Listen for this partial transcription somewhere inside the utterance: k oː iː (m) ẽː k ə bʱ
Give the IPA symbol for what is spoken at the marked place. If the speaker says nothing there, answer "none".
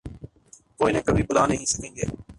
n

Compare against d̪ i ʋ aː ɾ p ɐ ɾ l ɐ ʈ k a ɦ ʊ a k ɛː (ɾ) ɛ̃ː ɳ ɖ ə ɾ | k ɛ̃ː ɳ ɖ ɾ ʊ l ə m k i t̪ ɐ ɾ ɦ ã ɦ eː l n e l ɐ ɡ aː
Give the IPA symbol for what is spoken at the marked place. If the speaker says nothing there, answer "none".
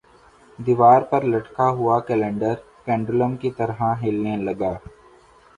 l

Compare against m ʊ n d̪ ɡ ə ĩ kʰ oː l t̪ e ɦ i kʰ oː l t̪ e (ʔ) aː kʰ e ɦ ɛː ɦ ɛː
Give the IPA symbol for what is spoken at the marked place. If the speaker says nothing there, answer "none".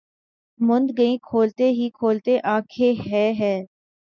ʔ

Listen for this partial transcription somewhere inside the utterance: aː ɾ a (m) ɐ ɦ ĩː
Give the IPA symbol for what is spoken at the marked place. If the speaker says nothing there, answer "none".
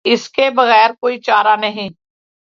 n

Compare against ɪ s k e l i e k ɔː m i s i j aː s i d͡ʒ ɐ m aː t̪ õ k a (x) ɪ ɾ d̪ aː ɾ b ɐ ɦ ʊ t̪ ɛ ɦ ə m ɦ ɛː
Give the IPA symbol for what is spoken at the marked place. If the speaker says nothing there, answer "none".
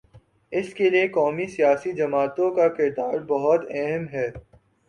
k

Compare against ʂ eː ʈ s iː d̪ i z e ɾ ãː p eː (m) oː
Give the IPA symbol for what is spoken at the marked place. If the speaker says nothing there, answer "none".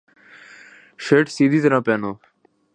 n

